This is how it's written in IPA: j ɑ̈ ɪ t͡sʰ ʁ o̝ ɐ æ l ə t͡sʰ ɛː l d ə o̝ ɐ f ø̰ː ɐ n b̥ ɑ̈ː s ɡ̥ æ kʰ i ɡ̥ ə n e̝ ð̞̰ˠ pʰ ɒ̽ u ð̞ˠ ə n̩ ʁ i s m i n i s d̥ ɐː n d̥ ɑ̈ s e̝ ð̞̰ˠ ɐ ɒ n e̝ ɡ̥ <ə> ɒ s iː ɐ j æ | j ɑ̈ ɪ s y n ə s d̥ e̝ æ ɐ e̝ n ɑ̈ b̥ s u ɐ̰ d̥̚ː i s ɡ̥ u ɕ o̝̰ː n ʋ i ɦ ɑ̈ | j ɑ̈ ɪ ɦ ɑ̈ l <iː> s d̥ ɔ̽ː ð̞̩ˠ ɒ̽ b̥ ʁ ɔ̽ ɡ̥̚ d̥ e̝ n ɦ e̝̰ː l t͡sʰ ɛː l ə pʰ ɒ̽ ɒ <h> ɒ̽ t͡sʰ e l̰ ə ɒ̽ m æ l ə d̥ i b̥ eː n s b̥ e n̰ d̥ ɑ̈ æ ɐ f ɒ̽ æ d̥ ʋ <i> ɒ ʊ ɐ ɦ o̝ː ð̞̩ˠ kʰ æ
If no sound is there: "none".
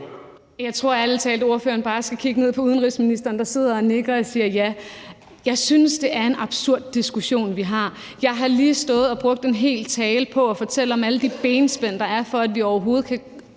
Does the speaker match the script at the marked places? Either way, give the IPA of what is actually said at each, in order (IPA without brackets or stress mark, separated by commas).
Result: ɐ, iː, f, i